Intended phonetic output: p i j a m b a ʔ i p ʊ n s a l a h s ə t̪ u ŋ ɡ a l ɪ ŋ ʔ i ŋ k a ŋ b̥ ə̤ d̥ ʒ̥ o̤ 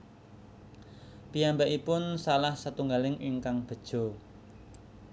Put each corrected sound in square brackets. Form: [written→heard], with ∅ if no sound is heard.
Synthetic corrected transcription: p i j a m b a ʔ i p ʊ n s a l a h s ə t̪ u ŋ ɡ a l ɪ ŋ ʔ i ŋ k a ŋ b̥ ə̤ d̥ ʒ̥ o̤